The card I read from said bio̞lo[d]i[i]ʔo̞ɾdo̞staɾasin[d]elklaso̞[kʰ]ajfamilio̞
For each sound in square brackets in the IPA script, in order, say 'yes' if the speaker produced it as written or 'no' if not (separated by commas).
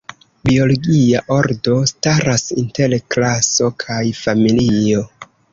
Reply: no, no, no, yes